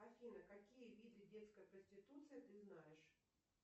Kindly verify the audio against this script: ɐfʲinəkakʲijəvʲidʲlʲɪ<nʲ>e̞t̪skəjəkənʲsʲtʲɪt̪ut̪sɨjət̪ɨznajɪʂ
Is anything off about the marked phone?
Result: yes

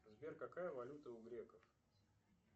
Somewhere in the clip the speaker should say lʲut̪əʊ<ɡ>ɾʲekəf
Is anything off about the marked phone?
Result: no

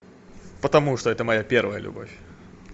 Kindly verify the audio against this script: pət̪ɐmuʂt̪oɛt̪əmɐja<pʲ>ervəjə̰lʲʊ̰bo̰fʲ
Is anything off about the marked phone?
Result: no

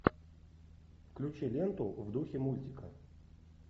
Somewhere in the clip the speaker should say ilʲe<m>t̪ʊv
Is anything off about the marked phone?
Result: yes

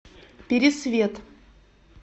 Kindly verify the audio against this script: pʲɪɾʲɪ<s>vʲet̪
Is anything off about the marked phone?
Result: no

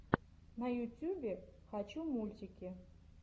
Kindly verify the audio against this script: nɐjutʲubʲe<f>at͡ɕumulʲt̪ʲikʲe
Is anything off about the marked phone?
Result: yes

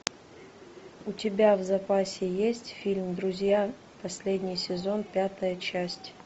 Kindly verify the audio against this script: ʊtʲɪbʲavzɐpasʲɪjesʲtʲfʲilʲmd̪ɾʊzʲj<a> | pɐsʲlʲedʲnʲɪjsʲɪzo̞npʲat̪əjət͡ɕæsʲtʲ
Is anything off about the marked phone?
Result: no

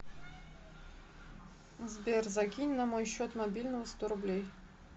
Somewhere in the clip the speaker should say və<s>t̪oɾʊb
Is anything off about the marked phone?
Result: no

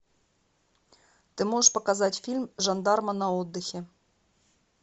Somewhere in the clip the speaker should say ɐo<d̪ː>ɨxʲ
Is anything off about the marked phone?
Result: no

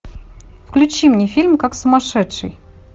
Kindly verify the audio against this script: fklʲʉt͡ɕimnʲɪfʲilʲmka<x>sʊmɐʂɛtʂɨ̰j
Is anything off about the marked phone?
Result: yes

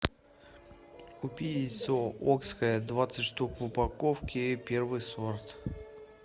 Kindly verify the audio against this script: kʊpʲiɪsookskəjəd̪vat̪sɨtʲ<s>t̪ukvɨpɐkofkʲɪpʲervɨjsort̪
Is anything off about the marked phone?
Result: yes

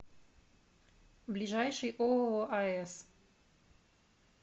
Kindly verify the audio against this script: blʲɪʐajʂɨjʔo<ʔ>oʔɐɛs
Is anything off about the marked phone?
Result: yes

